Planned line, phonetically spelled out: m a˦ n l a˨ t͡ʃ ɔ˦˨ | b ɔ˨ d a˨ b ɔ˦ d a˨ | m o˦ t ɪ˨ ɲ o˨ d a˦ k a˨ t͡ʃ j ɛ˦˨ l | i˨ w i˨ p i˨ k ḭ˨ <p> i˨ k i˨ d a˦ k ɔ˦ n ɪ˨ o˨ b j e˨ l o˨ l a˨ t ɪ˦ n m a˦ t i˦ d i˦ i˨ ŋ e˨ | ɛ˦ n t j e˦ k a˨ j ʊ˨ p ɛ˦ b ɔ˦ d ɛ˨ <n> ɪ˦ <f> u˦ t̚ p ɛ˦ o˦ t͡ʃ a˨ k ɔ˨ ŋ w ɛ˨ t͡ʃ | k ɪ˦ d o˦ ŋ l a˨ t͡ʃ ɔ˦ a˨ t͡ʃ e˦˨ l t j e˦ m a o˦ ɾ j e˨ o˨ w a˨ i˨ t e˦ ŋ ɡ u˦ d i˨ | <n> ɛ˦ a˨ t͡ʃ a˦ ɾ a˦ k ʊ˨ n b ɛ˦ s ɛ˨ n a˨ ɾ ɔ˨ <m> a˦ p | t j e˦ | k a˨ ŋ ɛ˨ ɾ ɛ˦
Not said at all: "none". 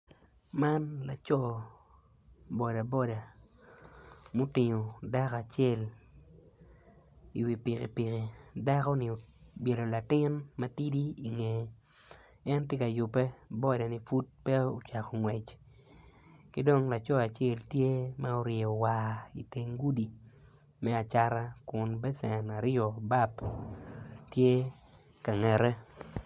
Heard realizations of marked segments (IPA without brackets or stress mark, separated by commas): p, n, f, m, b